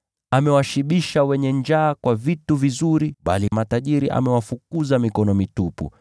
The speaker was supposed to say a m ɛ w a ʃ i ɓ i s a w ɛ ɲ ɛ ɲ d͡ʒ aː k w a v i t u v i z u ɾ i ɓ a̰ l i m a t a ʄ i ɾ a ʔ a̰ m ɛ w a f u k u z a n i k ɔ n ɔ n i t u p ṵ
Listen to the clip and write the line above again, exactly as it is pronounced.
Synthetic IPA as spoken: a m ɛ w a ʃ i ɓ i ʃ a w ɛ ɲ ɛ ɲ d͡ʒ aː k w a v i t u v i z u ɾ i ɓ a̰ l i m a t a ʄ i ɾ i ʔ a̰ m ɛ w a f u k u z a m i k ɔ n ɔ m i t u p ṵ